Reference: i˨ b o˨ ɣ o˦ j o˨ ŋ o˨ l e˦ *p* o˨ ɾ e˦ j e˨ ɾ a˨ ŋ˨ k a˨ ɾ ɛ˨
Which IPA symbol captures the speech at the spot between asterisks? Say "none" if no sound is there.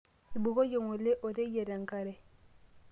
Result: ʔ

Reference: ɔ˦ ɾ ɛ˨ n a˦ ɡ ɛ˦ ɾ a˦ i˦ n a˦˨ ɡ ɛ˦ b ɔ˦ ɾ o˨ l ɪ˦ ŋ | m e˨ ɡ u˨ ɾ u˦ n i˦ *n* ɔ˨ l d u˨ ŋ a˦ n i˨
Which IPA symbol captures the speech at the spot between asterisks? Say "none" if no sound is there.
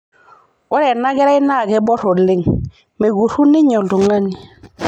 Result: ɲ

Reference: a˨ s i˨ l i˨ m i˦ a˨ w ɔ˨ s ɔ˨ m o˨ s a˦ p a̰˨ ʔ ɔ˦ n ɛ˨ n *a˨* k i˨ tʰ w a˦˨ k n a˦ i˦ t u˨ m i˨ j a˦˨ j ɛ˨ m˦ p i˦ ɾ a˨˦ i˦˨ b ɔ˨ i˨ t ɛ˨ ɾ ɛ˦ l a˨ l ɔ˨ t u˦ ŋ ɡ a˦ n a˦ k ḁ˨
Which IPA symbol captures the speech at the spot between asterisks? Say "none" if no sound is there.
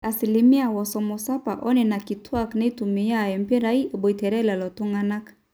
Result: a˨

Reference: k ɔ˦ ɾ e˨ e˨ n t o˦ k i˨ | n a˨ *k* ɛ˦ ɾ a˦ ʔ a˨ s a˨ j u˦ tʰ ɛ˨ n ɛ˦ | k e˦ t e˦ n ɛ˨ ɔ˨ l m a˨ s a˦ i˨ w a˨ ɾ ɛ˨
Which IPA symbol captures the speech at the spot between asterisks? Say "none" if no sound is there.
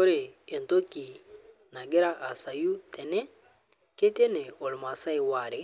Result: ɡ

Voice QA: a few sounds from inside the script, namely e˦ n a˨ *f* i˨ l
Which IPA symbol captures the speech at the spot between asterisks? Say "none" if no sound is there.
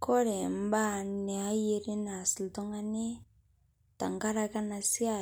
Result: s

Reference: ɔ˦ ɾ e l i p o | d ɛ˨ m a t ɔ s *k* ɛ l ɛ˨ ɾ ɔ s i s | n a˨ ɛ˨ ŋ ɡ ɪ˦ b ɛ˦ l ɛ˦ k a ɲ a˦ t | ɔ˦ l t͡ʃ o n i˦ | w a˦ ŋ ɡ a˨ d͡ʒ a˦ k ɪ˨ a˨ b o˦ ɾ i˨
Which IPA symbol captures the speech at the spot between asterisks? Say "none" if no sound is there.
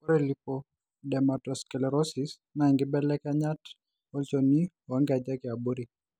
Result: k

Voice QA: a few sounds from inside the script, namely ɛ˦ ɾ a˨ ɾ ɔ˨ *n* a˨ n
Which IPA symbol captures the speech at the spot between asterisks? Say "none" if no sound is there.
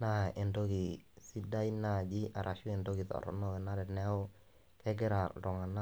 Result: ŋ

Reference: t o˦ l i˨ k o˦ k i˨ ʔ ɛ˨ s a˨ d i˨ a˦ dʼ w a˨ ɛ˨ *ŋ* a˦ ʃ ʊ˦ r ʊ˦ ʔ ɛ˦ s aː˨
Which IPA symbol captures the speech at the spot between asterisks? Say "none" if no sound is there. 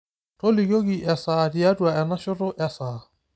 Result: n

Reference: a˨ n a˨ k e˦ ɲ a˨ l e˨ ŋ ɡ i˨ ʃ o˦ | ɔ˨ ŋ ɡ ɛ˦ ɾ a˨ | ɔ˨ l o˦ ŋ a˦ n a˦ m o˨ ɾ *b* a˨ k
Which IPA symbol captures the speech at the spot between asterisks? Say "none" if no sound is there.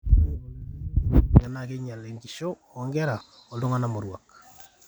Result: w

